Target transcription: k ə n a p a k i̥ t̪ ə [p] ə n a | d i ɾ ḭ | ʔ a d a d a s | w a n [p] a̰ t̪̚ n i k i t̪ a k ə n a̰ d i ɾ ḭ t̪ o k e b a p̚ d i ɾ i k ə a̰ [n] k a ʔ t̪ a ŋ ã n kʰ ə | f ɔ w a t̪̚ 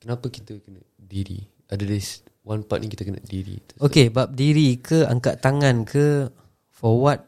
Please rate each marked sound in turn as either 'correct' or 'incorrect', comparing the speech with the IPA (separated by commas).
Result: incorrect, correct, incorrect